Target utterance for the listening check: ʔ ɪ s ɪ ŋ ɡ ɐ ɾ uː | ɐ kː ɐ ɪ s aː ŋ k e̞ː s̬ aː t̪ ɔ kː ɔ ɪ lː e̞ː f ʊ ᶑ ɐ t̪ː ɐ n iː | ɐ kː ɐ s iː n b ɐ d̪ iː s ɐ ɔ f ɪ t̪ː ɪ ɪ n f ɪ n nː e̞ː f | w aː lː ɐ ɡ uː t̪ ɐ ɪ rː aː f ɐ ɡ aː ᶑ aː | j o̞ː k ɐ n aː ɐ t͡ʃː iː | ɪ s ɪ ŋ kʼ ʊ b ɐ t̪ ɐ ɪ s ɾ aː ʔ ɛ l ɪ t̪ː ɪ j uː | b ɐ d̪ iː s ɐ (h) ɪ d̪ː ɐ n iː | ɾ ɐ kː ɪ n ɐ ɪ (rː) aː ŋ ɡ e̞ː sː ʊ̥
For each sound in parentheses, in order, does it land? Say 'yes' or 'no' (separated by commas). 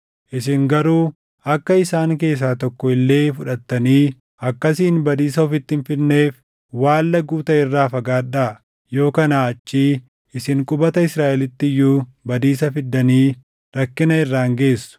no, yes